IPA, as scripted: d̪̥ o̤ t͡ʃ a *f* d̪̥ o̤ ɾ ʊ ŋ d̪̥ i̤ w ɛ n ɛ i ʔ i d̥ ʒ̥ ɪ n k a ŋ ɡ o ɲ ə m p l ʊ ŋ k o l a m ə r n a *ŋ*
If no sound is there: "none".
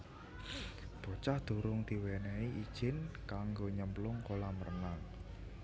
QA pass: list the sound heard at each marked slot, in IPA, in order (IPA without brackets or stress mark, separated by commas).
h, ŋ